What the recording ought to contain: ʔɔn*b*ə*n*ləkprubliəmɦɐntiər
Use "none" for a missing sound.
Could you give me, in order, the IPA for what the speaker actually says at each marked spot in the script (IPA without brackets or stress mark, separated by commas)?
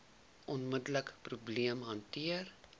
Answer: m, d